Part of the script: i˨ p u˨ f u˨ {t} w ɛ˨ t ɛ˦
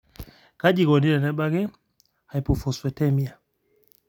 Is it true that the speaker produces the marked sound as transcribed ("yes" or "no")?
no